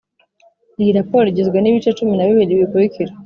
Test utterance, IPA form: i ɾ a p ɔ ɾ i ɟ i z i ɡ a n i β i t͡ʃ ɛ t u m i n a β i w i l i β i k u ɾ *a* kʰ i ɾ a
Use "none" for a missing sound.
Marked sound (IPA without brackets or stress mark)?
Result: i